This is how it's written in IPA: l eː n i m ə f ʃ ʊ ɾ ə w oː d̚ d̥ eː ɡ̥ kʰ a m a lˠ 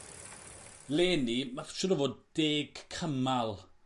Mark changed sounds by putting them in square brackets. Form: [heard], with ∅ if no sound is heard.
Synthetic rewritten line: l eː n i m [a] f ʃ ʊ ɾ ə [v] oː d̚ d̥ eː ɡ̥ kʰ [ə] m a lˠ

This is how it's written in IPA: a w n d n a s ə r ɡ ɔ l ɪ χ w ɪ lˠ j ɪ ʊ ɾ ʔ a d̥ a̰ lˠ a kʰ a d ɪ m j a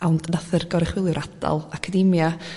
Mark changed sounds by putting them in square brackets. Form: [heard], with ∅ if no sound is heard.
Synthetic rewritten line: a w n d n a [θ] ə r ɡ ɔ [ɾ] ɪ χ w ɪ lˠ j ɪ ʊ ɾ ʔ a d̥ a̰ lˠ a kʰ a d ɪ m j a

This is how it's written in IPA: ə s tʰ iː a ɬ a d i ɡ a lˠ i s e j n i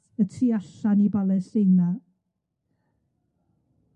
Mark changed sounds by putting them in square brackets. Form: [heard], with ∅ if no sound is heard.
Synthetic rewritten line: ə [∅] tʰ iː a ɬ a [n] i [b] a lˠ [ɛ] s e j n [a]

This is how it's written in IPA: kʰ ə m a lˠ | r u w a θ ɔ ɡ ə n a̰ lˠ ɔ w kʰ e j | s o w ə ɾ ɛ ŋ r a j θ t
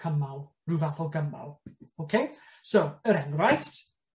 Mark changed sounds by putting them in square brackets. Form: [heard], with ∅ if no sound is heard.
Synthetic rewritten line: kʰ ə m a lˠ | r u [v] a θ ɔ ɡ ə [m] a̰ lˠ [o] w kʰ e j | s o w ə ɾ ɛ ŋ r a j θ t

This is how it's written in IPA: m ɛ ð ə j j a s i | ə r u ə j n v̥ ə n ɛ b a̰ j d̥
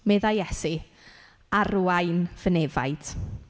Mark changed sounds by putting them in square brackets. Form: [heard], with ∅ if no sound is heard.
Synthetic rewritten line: m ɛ ð [a] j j [ɛ] s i | [a] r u [a] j n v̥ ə n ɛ [v] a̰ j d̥

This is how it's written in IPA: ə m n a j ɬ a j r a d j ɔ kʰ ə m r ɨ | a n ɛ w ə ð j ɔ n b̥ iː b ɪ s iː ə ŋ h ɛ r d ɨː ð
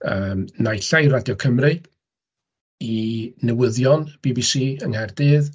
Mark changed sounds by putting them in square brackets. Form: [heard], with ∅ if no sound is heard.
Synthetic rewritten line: ə m n a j ɬ a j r a d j ɔ kʰ ə m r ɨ | [i] n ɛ w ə ð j ɔ n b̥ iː b [i] s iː ə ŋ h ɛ r d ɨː ð

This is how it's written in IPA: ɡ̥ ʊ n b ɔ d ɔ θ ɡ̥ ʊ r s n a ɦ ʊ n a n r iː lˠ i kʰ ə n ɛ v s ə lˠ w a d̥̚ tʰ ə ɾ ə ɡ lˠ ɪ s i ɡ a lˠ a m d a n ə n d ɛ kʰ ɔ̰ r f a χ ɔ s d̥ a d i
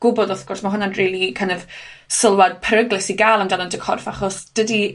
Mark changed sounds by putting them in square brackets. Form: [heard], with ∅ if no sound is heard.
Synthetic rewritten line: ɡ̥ ʊ [∅] b ɔ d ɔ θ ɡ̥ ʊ r s [m] a ɦ ʊ n a n r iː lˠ i kʰ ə n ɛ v s ə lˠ w a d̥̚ [pʰ] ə ɾ ə ɡ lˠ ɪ s i ɡ a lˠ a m d a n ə n d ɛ kʰ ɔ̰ r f a χ ɔ s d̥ [ə] d i

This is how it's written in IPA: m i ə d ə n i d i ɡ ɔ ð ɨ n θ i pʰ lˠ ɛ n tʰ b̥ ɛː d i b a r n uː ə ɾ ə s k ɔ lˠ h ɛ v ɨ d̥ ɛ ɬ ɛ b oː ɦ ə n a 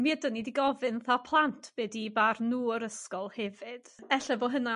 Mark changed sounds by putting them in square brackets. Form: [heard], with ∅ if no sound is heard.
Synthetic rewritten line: m i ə d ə n i d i ɡ ɔ [v] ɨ n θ [a] pʰ lˠ [a] n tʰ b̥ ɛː d i b a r n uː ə ɾ ə s k ɔ lˠ h ɛ v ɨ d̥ ɛ ɬ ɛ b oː ɦ ə n a

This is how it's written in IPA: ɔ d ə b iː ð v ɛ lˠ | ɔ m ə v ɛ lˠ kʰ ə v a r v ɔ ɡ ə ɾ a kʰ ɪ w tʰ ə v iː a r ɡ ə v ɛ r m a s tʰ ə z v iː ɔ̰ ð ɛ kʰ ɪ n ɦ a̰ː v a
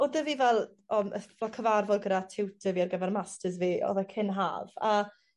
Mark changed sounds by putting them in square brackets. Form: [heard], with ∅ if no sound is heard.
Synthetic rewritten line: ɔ d ə [v] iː [∅] v ɛ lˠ | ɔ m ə v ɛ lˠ kʰ ə v a r v ɔ ɡ ə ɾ a [tʰ] ɪ w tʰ ə v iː a r ɡ ə v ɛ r m a s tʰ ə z v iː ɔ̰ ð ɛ kʰ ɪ n ɦ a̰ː v a

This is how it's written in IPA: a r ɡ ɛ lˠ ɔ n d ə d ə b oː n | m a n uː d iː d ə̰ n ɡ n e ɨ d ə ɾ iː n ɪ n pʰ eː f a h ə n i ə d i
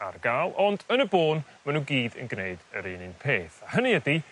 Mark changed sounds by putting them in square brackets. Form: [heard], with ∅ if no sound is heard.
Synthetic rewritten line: a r ɡ [a] lˠ ɔ n d ə [n] ə b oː n | m a n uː [ɡ] iː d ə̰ n ɡ n e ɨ d ə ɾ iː n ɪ n pʰ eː [θ] a h ə n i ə d i

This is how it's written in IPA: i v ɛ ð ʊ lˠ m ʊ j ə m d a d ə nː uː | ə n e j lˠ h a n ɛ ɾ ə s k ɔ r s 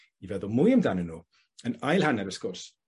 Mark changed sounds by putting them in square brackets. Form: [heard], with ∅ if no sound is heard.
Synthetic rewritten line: i v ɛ ð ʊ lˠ m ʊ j ə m d a [n] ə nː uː | ə n [a] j lˠ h a n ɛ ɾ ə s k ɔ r s

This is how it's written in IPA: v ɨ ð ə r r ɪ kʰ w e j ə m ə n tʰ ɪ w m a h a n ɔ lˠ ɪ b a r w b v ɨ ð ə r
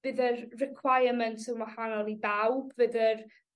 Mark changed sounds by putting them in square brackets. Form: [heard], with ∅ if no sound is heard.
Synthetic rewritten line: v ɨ ð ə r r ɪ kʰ w [a] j ə m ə n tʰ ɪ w m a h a n ɔ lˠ [i] b a [∅] w b v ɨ ð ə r

